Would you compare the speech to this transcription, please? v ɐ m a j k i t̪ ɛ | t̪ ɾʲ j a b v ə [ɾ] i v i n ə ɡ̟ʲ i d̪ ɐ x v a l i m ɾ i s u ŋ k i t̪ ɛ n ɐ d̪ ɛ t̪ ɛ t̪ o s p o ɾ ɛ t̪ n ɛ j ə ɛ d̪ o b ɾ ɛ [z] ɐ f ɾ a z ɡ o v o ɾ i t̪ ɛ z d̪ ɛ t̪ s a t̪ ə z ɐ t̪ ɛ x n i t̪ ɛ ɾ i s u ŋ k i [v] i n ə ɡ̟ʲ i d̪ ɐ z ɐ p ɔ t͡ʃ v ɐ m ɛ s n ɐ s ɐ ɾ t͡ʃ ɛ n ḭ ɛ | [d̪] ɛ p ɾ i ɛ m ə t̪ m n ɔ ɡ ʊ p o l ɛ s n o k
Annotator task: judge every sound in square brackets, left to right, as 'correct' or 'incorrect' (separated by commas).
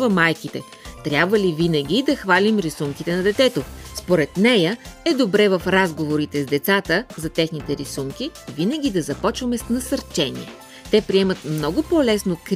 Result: incorrect, incorrect, correct, incorrect